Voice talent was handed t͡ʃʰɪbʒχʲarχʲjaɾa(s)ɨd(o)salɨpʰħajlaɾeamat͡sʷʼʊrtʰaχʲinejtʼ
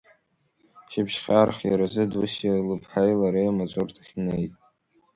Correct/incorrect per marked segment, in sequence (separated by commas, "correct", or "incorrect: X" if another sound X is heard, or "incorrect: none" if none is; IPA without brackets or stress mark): incorrect: z, incorrect: u